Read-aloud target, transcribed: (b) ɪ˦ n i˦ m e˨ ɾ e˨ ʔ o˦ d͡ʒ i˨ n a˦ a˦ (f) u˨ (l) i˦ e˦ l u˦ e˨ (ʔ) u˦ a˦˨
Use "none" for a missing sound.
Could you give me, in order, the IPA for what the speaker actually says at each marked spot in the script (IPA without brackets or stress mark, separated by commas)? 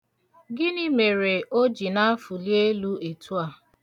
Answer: ɡ, f, l, t